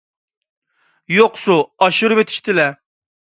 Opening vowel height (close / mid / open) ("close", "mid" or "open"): mid